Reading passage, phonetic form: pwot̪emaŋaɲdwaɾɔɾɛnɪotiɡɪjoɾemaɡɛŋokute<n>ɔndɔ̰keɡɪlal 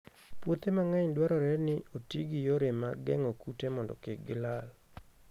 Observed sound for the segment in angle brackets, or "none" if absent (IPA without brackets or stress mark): m